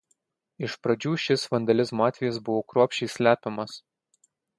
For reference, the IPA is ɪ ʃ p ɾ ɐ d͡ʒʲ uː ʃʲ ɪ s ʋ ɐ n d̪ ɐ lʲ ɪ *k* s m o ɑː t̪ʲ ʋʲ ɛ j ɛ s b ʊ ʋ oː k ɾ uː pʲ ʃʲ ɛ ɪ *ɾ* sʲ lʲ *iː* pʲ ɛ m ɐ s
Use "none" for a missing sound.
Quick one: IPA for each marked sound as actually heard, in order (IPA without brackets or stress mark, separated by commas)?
none, none, æː